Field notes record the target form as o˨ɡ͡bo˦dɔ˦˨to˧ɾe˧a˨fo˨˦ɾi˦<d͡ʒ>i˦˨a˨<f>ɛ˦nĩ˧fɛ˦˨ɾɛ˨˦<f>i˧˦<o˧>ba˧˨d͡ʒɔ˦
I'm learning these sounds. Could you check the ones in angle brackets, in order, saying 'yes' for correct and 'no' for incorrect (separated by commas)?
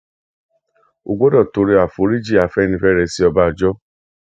yes, yes, no, no